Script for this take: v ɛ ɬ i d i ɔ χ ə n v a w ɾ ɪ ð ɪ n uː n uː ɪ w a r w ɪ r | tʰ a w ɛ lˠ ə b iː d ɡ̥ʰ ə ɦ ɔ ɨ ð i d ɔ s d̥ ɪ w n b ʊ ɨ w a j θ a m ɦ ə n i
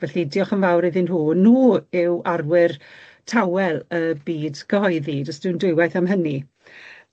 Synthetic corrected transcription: v ɛ ɬ i d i ɔ χ ə n v a w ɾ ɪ ð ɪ n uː n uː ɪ w a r w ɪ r | tʰ a w ɛ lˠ ə b iː d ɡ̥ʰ ə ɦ ɔ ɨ ð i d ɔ s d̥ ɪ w n d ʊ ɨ w a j θ a m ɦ ə n i